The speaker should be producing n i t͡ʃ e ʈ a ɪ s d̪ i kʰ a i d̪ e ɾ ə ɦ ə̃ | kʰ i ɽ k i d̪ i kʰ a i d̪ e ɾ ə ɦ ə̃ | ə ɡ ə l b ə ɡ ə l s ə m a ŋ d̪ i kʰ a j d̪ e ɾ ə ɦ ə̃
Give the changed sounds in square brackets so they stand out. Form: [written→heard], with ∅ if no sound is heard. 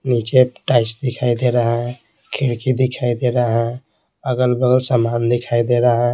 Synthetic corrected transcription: n i t͡ʃ e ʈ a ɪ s d̪ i kʰ a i d̪ e ɾ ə ɦ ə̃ | kʰ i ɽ k i d̪ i kʰ a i d̪ e ɾ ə ɦ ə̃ | ə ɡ ə l b ə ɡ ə l s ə m a [ŋ→n] d̪ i kʰ a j d̪ e ɾ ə ɦ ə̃